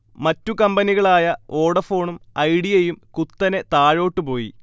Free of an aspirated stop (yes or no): yes